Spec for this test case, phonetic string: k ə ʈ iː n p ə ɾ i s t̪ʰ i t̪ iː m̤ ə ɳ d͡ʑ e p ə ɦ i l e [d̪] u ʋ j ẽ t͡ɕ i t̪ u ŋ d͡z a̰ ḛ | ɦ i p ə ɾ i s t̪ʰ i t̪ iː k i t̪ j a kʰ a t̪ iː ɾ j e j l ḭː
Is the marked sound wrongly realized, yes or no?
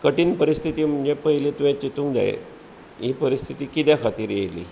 yes